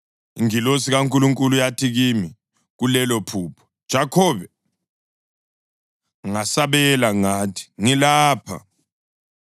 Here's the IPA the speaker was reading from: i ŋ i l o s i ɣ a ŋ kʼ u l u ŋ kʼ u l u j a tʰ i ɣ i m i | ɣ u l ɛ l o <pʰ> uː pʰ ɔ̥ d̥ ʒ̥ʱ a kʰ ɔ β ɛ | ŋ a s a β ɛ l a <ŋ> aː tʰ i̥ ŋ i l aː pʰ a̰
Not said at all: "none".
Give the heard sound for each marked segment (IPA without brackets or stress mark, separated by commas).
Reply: pʰ, ŋ